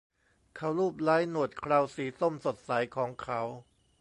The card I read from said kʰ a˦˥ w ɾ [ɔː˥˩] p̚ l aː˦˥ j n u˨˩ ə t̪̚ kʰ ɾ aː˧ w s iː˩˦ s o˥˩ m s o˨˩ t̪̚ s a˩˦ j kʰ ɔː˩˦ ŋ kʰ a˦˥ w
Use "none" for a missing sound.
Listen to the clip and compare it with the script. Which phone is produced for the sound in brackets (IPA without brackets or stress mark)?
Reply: uː˥˩